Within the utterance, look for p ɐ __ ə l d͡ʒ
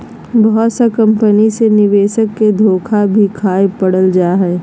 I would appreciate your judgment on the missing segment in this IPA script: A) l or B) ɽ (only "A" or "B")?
B